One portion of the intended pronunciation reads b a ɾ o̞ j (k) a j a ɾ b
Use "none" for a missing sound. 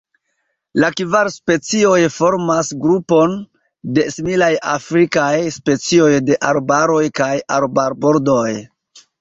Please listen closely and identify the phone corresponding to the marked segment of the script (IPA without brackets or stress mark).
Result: k